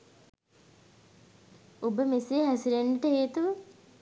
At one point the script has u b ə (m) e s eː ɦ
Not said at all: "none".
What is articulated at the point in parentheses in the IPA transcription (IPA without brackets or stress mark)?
m